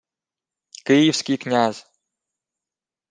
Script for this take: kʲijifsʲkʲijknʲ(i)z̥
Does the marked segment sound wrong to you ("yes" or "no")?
yes